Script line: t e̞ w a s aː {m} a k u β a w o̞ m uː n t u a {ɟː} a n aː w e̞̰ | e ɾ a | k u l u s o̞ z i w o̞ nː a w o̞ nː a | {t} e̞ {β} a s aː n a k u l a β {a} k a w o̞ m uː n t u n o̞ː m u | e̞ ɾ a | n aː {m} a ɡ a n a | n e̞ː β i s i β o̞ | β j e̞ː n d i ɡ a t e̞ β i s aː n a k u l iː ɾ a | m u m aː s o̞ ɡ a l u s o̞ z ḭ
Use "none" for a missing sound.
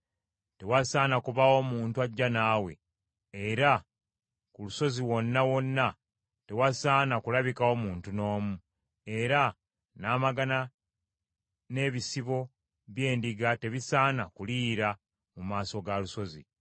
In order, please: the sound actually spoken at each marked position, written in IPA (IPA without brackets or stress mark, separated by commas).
n, ɟː, t, w, i, m